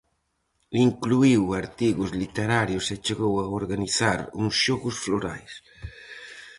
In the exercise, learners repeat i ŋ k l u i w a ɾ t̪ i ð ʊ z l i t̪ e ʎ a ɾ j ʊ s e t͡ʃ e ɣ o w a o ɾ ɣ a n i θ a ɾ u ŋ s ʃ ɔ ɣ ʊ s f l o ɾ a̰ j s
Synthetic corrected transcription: i ŋ k l u i w a ɾ t̪ i ɣ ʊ z l i t̪ e ɾ a ɾ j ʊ s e t͡ʃ e ɣ o w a o ɾ ɣ a n i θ a ɾ u ŋ s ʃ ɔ ɣ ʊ s f l o ɾ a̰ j s